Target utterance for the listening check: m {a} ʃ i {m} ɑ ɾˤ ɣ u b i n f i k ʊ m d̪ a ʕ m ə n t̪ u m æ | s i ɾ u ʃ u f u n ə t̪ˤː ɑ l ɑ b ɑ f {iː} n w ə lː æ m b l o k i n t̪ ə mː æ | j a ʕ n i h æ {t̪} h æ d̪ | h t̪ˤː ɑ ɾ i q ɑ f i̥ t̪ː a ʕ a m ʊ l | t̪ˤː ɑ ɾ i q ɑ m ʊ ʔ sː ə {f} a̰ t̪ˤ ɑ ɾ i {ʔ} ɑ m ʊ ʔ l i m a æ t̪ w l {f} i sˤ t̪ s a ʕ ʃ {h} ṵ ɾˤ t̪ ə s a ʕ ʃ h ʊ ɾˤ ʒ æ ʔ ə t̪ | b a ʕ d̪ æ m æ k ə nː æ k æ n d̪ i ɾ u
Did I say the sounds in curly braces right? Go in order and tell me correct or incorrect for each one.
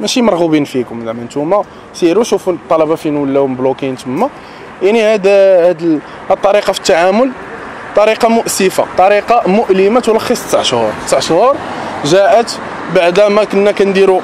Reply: incorrect: æ, correct, incorrect: i, incorrect: d̪, correct, incorrect: q, incorrect: x, correct

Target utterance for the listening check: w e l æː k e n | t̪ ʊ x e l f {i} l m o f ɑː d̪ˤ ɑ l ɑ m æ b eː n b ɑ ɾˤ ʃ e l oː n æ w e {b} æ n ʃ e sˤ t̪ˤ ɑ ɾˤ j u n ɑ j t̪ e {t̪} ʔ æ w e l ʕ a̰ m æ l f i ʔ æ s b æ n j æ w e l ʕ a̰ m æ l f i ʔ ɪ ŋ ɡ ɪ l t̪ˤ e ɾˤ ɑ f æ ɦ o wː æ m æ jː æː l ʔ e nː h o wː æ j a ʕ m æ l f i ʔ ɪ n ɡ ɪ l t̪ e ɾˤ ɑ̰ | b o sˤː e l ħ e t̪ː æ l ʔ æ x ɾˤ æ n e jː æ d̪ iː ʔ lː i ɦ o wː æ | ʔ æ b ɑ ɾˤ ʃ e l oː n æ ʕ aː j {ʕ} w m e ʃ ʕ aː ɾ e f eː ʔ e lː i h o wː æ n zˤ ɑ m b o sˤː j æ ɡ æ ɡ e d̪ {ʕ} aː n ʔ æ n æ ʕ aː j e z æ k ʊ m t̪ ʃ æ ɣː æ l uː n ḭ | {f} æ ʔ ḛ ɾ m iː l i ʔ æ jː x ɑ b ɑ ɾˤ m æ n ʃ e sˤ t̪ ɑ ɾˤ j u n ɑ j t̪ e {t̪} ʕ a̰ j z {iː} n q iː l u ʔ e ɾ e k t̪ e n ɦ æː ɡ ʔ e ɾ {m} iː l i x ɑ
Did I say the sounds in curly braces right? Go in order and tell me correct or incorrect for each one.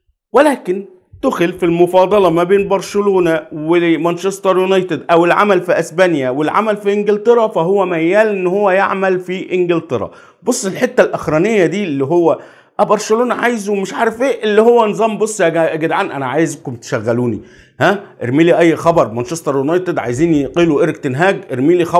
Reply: correct, incorrect: m, incorrect: d̪, incorrect: z, correct, incorrect: h, incorrect: d̪, correct, correct

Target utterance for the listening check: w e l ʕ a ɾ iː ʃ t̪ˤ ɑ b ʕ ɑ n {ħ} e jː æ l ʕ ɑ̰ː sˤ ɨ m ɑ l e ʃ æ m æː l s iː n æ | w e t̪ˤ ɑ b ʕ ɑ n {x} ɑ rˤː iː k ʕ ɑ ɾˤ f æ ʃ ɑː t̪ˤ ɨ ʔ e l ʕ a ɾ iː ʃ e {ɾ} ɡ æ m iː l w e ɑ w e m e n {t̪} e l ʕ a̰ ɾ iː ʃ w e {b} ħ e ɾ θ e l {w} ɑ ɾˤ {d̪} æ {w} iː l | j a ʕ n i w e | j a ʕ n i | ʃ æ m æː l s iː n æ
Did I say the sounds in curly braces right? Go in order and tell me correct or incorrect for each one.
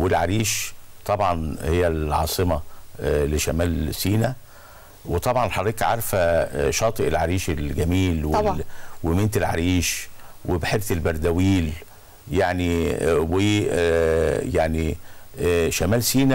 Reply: incorrect: h, incorrect: ħ, incorrect: l, correct, correct, incorrect: b, correct, correct

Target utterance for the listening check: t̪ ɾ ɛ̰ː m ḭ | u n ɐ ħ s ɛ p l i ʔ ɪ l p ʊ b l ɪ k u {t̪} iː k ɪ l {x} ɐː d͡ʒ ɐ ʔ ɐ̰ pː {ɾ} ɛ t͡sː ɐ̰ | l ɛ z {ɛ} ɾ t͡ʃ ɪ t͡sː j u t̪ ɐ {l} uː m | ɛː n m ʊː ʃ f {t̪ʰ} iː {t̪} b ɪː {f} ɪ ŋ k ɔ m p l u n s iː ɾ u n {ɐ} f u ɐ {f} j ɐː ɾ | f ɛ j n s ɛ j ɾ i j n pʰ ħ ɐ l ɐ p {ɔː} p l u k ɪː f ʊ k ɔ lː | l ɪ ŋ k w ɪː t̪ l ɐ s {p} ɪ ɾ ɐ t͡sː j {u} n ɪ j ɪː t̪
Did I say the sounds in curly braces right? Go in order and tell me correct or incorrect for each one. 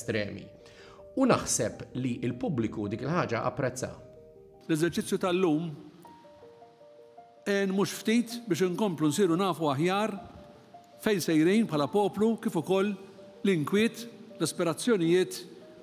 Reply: incorrect: d̪, incorrect: ħ, correct, correct, incorrect: lː, incorrect: t̪, correct, incorrect: ʃ, incorrect: ɐː, incorrect: ħ, correct, correct, incorrect: ɔ

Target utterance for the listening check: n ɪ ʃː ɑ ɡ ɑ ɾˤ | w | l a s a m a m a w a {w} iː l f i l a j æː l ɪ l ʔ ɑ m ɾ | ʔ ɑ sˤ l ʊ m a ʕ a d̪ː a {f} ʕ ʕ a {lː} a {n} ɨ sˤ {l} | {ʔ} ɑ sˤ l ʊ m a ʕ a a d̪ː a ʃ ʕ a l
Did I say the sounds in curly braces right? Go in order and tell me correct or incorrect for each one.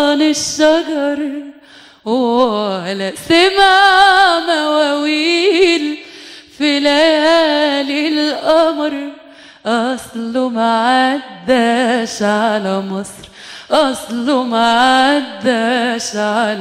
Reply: correct, incorrect: ʃ, incorrect: l, incorrect: m, incorrect: ɾ, correct

